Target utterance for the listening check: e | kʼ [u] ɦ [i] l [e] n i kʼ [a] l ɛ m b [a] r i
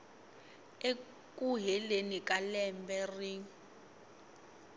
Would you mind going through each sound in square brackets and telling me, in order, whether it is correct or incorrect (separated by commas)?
correct, incorrect, correct, correct, incorrect